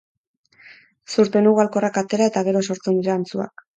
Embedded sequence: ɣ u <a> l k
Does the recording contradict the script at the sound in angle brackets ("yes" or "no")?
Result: no